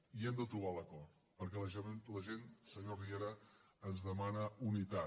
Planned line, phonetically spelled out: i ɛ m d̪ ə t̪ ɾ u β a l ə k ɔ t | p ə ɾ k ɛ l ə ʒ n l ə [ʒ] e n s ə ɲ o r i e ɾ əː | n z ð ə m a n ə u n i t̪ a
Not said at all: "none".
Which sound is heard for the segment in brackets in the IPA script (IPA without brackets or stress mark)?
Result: ʒ